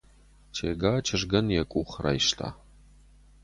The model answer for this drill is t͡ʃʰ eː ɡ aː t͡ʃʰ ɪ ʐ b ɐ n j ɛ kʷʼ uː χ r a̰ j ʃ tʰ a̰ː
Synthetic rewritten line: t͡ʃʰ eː ɡ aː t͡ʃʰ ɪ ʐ ɡ ɐ n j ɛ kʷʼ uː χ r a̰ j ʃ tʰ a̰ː